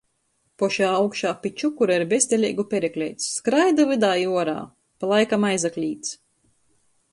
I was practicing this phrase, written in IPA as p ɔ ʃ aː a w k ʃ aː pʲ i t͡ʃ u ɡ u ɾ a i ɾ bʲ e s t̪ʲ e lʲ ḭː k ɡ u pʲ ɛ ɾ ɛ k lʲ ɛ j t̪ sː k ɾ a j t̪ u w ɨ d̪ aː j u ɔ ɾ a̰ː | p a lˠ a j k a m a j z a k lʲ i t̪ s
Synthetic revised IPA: p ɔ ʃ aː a w k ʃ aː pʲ i t͡ʃ u k u ɾ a i ɾ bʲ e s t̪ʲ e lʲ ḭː ɡ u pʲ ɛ ɾ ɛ k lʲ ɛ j t̪ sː k ɾ a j d̪ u v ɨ d̪ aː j u ɔ ɾ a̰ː | p a lˠ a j k a m a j z a k lʲ iː t̪ s